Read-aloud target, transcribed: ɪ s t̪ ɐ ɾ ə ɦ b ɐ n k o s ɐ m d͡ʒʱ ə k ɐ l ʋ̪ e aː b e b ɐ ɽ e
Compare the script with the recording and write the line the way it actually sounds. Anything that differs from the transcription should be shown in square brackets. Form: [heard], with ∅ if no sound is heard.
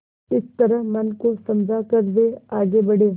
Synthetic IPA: ɪ s t̪ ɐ ɾ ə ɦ [m] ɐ n k o s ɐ m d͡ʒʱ [a] k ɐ [ɾ] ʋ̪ e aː [ɡ] e b ɐ ɽ e